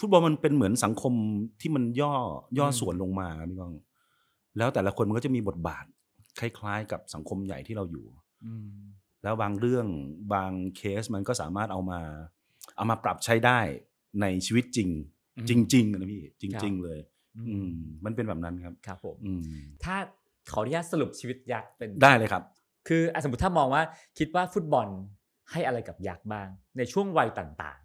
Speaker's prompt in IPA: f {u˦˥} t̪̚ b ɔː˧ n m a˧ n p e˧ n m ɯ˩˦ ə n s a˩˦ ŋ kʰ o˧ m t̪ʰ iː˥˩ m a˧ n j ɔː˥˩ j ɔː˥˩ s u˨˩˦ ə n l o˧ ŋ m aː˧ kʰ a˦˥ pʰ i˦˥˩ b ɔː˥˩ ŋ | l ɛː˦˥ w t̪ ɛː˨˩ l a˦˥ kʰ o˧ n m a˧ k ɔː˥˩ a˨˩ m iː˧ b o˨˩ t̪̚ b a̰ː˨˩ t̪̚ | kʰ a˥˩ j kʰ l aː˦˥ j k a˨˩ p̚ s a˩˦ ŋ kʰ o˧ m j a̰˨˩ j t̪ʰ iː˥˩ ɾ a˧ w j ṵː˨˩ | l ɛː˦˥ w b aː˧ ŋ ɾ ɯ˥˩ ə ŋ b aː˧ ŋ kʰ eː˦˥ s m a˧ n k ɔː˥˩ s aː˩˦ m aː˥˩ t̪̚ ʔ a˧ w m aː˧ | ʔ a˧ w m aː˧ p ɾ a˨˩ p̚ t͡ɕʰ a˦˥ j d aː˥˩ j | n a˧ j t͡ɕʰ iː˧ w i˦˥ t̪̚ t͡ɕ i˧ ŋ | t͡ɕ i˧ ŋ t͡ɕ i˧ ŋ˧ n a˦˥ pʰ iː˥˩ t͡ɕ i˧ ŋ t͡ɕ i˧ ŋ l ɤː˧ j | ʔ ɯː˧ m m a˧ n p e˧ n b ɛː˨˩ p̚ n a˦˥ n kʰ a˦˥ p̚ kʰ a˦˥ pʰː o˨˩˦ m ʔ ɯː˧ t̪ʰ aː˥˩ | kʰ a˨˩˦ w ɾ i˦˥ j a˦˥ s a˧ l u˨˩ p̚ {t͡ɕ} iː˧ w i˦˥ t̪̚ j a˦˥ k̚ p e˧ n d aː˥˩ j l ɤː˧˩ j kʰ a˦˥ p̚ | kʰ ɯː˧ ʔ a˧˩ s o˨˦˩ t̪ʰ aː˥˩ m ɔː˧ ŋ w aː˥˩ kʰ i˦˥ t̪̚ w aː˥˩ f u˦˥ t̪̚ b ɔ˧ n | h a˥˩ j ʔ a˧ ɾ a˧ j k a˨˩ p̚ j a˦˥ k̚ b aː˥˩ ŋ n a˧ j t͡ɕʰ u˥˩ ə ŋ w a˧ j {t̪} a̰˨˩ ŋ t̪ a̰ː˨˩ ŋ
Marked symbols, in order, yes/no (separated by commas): yes, no, yes